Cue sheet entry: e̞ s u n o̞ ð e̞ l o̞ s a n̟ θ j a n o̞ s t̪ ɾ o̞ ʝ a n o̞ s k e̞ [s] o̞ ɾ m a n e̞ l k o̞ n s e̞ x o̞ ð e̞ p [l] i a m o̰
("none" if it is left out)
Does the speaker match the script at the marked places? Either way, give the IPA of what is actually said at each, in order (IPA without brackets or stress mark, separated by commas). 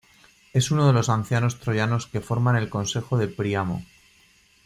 f, ɾ